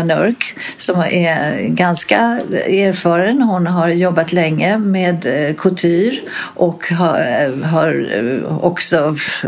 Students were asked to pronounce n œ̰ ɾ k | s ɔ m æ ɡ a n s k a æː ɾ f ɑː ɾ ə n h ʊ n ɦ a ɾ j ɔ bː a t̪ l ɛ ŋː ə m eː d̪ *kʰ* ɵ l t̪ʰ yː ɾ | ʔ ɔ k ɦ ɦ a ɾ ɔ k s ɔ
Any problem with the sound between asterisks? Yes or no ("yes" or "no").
no